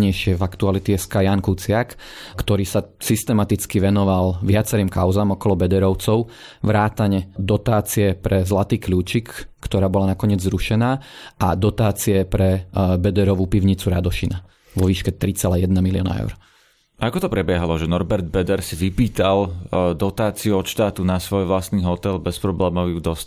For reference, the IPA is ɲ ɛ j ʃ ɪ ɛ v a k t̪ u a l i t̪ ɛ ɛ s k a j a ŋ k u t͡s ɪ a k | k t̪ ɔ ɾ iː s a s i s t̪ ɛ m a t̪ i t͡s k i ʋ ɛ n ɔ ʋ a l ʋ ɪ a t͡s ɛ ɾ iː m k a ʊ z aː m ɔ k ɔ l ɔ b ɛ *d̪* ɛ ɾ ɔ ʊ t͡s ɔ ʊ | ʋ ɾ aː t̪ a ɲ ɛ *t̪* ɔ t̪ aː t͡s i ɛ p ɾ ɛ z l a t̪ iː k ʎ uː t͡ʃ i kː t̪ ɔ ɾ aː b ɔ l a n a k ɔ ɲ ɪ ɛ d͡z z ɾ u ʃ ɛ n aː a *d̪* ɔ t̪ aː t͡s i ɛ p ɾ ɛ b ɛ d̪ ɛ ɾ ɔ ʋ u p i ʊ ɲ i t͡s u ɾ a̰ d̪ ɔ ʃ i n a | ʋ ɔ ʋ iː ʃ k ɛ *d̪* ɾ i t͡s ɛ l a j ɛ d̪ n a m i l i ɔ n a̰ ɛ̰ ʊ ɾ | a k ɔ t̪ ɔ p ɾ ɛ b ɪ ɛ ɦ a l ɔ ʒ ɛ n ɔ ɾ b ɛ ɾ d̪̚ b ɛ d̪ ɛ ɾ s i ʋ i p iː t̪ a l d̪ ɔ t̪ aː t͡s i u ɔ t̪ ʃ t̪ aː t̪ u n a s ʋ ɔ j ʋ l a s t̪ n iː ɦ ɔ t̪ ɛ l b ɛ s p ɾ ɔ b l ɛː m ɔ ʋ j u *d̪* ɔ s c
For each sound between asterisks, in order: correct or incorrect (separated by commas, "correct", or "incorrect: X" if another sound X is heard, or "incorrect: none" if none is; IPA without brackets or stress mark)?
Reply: correct, incorrect: d̪, correct, incorrect: t̪, correct